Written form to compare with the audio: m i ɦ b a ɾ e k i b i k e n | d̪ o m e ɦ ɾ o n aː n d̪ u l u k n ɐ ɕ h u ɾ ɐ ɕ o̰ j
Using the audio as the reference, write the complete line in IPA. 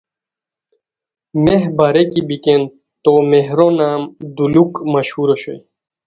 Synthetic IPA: m e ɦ b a ɾ e k i b i k e n | t̪ o m e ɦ ɾ o n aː m d̪ u l u k m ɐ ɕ h u ɾ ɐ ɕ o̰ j